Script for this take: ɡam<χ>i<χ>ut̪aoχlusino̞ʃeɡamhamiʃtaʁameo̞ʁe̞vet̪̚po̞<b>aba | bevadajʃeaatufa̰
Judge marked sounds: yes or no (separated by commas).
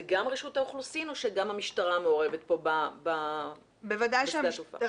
no, no, yes